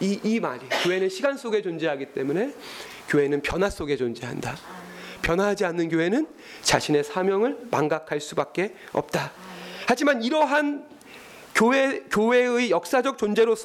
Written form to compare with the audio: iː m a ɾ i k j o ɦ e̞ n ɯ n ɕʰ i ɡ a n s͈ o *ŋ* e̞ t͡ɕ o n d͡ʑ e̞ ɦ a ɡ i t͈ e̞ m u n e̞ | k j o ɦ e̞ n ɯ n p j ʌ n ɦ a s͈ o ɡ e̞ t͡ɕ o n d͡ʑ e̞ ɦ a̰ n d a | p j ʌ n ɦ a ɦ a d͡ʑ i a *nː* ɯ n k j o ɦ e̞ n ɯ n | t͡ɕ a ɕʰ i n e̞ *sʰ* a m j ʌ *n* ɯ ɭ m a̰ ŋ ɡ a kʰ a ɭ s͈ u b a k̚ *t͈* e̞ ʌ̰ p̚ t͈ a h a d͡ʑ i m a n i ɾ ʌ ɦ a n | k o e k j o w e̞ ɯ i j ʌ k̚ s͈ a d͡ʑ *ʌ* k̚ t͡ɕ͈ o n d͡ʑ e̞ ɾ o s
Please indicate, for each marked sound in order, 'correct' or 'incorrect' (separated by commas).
incorrect, correct, correct, incorrect, incorrect, correct